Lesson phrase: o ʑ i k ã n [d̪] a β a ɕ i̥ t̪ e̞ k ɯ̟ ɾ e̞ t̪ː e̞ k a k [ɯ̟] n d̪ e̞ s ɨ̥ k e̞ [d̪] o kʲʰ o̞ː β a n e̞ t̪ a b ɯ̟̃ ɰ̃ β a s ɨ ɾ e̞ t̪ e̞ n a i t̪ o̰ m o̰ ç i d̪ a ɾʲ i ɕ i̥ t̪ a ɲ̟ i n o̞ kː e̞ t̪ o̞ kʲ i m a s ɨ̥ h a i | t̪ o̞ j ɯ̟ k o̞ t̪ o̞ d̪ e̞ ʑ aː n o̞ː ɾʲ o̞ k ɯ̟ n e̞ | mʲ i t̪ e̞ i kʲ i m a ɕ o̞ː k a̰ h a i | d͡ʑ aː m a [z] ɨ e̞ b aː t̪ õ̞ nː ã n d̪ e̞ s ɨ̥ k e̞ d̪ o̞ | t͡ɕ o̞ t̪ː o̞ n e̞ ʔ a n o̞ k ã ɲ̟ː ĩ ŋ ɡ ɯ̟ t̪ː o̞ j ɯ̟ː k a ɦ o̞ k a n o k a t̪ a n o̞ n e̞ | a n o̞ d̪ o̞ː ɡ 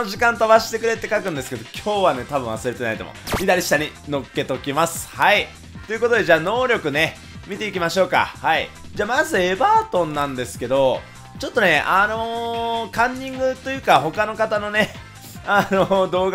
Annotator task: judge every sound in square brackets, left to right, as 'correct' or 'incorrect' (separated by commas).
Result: incorrect, incorrect, correct, correct